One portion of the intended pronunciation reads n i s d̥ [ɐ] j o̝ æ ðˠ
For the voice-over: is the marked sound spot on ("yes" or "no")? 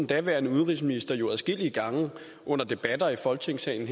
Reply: yes